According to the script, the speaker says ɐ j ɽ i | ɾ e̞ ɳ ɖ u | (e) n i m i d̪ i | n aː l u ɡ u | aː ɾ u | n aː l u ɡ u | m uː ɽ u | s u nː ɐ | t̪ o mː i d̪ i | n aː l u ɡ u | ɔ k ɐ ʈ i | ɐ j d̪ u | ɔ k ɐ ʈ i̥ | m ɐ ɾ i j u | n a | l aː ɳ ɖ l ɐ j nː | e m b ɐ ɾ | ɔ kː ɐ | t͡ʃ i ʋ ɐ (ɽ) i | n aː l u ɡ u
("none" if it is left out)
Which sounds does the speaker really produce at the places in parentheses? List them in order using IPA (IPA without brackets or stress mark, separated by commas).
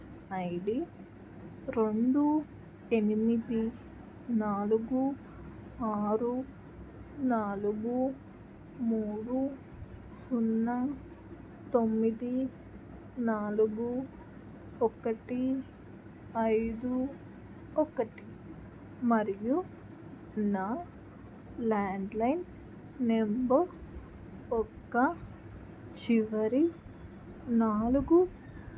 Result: e, ɾ